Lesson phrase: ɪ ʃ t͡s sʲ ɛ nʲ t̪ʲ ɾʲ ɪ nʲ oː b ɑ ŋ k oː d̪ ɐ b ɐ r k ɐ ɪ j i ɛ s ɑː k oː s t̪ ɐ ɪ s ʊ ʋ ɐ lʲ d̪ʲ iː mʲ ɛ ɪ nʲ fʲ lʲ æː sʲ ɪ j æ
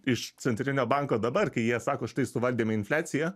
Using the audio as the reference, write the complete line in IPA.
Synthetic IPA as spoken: ɪ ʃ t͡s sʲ ɛ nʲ t̪ʲ ɾʲ ɪ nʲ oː b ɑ ŋ k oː d̪ ɐ b ɐ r k ɐ ɪ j i ɛ s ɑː k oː ʃ t̪ ɐ ɪ s ʊ ʋ ɐ lʲ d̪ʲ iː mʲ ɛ ɪ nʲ fʲ lʲ æː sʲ ɪ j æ